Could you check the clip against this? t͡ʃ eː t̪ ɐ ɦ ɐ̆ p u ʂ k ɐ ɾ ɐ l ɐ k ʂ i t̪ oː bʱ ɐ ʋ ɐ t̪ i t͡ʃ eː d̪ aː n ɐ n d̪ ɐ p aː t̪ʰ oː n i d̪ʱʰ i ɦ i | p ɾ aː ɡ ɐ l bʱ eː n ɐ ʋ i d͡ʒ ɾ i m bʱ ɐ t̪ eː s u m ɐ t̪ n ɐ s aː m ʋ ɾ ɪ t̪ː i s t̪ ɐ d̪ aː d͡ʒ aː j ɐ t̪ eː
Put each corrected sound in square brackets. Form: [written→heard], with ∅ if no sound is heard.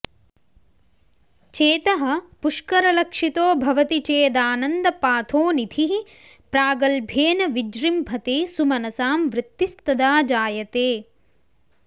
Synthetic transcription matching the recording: t͡ʃ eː t̪ ɐ ɦ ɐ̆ p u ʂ k ɐ ɾ ɐ l ɐ k ʂ i t̪ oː bʱ ɐ ʋ ɐ t̪ i t͡ʃ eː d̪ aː n ɐ n d̪ ɐ p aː t̪ʰ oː n i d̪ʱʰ i ɦ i | p ɾ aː ɡ ɐ l bʱ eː n ɐ ʋ i d͡ʒ ɾ i m bʱ ɐ t̪ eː s u m ɐ [t̪→∅] n ɐ s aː m ʋ ɾ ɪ t̪ː i s t̪ ɐ d̪ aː d͡ʒ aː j ɐ t̪ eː